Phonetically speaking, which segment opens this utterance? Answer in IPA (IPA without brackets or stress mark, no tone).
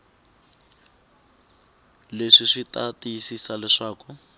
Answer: l